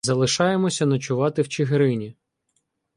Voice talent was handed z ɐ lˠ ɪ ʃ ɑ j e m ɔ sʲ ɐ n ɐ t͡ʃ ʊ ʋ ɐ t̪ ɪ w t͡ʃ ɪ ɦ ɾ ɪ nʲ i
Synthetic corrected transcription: z ɐ lˠ ɪ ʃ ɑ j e m ɔ sʲ ɐ n ɐ t͡ʃ ʊ ʋ ɑ t̪ ɪ w t͡ʃ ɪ ɦ ɾ ɪ nʲ i